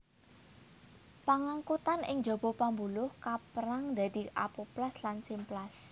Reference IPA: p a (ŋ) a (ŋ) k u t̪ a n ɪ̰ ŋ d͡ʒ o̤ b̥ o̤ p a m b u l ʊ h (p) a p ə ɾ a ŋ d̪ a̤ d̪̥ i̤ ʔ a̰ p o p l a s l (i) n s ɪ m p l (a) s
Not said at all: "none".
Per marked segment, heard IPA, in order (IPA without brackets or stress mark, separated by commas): ŋ, ŋ, k, a, a